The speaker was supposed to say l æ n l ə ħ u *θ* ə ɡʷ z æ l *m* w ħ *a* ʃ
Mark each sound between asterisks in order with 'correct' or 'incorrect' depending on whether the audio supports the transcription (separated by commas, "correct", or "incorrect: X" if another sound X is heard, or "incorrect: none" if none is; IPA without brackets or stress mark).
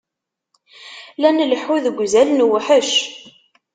incorrect: ð, incorrect: n, incorrect: ə